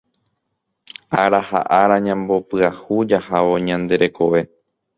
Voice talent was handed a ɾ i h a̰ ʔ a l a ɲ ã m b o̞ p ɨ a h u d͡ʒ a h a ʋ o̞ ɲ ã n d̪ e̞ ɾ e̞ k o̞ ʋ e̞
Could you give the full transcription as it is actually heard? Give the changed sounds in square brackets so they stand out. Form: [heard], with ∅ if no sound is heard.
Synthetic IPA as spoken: a ɾ [a] h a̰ ʔ a [ɾ] a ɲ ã m b o̞ p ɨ a h u d͡ʒ a h a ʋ o̞ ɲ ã n d̪ e̞ ɾ e̞ k o̞ ʋ e̞